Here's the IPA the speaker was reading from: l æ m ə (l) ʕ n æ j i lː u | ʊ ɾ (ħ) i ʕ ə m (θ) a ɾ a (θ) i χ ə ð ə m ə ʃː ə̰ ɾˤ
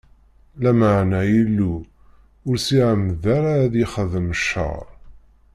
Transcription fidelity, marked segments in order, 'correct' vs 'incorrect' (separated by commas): incorrect, incorrect, incorrect, incorrect